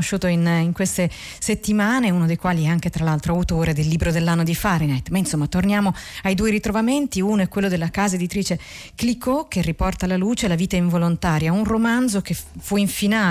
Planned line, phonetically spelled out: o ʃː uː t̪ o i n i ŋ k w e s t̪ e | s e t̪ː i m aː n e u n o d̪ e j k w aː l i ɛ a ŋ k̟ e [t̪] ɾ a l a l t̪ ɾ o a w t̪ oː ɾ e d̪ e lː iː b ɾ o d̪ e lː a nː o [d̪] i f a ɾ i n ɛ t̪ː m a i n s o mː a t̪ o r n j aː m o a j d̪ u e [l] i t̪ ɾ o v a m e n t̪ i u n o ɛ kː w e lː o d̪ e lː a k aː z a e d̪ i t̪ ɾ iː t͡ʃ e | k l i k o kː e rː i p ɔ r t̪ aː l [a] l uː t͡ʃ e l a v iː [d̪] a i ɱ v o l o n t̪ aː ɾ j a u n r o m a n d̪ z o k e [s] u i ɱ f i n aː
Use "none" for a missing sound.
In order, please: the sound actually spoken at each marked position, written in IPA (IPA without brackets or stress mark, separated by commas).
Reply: t̪, d̪, ɾ, a, t̪, f